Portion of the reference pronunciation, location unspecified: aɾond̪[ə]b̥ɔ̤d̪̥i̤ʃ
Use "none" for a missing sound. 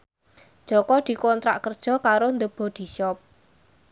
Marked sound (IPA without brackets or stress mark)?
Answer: ə